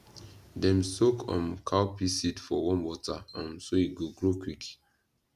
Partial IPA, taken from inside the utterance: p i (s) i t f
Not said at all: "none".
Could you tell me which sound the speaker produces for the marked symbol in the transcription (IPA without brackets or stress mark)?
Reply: s